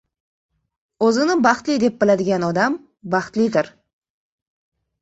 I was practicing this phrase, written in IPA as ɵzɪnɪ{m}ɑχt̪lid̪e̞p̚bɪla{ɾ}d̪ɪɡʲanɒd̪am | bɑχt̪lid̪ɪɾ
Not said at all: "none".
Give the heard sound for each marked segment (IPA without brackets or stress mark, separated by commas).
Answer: b, none